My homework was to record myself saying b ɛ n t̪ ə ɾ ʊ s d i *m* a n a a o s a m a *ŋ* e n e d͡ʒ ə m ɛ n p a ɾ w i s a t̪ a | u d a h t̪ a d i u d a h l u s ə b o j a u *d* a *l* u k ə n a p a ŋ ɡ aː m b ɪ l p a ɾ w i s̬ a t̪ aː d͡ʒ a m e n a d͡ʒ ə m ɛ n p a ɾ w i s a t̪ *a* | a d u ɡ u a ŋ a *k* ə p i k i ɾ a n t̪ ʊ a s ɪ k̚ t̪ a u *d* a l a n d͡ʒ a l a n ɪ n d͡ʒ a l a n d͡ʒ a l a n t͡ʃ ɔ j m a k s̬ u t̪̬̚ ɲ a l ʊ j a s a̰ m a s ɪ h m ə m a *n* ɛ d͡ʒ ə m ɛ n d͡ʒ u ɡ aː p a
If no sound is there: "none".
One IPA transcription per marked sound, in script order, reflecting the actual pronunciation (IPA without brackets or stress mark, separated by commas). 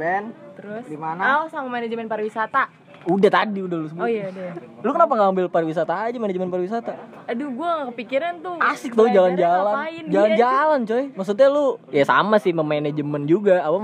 m, m, d, l, a, k, d͡ʒ, n